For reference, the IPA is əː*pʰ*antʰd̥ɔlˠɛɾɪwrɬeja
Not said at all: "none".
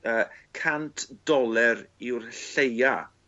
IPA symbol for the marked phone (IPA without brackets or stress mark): kʰ